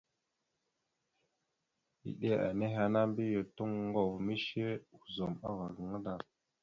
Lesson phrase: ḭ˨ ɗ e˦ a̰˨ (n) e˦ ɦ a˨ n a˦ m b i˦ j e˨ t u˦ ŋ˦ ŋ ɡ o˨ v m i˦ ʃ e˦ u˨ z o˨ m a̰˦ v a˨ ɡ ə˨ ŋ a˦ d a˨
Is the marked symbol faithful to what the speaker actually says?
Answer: yes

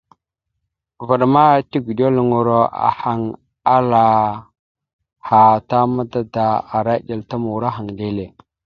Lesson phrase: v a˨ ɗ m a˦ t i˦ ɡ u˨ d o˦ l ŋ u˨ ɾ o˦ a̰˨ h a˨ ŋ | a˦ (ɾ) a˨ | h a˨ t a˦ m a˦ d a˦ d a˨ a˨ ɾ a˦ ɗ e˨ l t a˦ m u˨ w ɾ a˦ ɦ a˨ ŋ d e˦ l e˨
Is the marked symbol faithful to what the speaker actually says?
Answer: no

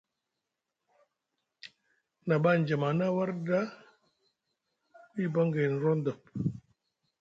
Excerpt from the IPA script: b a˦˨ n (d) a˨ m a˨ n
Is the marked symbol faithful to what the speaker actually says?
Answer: no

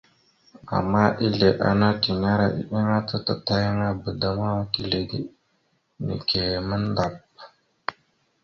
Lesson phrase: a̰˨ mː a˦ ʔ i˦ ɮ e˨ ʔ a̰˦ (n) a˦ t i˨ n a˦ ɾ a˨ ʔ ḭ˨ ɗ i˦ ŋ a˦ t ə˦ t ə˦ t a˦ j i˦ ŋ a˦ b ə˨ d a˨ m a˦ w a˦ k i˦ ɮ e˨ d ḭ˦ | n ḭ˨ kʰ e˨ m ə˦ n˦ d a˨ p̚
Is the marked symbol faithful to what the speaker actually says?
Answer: yes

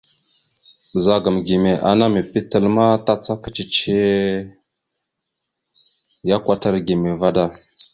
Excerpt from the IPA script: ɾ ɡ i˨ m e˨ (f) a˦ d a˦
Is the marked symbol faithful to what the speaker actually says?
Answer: no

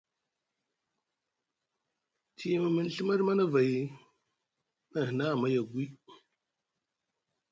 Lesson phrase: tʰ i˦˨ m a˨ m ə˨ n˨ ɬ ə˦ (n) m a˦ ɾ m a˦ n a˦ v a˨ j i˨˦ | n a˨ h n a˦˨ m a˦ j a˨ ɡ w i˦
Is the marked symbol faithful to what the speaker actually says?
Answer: no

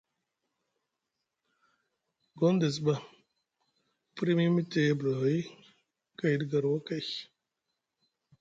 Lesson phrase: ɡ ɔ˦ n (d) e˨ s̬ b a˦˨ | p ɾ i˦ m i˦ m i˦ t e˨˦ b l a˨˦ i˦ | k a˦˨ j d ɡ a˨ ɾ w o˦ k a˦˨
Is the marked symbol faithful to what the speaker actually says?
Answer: yes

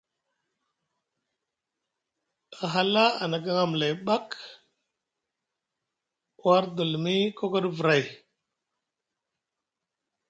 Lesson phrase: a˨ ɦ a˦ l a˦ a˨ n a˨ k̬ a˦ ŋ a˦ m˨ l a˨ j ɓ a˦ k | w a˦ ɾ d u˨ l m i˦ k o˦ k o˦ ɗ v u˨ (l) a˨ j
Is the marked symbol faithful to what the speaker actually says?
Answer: no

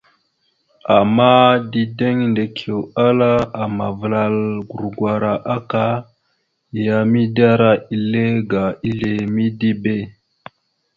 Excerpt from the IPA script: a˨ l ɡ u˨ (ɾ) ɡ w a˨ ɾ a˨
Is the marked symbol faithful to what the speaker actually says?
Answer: yes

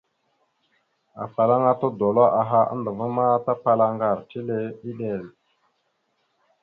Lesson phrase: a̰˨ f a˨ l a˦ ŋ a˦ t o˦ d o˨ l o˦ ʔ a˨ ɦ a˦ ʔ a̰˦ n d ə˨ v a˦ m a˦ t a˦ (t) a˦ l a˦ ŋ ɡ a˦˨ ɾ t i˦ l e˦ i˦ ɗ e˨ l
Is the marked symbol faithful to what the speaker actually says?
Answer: no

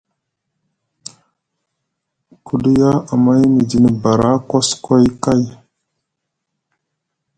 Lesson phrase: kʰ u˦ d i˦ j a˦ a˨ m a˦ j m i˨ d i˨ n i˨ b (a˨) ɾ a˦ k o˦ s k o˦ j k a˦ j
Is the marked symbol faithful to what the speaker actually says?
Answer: yes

